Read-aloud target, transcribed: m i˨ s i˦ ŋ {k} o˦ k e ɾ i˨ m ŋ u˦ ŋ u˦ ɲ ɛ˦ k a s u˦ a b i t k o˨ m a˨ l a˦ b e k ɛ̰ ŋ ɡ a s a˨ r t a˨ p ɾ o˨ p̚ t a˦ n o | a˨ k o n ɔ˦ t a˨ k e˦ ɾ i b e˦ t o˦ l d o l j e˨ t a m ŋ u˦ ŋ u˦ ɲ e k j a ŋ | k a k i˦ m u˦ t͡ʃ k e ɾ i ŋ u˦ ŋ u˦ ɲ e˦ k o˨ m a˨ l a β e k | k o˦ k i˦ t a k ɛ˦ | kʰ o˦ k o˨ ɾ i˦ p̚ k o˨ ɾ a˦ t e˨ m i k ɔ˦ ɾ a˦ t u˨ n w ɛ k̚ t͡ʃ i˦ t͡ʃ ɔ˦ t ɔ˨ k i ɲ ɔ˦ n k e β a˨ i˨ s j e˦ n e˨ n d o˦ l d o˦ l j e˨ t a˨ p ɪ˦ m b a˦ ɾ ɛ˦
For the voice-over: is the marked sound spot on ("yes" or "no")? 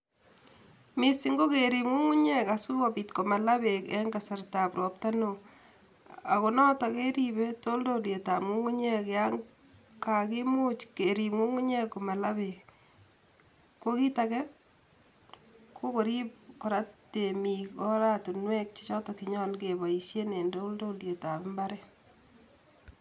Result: no